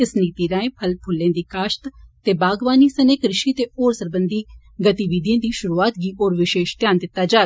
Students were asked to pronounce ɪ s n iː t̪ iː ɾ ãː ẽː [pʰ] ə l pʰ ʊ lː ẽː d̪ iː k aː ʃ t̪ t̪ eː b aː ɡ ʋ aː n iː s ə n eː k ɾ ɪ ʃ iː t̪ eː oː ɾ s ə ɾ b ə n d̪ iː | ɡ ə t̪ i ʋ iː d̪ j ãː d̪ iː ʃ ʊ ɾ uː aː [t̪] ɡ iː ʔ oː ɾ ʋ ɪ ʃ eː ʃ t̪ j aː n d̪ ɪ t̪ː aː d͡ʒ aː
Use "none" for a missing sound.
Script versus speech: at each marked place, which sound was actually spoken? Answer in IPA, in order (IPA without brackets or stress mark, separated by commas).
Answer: pʰ, t̪